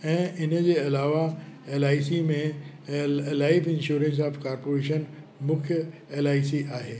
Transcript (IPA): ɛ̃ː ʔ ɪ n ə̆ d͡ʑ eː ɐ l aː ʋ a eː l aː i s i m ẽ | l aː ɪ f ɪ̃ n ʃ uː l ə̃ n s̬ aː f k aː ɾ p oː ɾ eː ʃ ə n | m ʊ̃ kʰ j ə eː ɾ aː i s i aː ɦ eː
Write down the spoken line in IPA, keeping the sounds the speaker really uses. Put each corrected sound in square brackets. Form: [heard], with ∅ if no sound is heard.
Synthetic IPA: ɛ̃ː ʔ ɪ n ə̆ d͡ʑ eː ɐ l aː ʋ a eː l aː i s i m ẽ | l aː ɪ f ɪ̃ n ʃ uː [ɾ] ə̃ n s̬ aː f k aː ɾ p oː ɾ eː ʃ ə n | m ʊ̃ kʰ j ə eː [l] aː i s i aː ɦ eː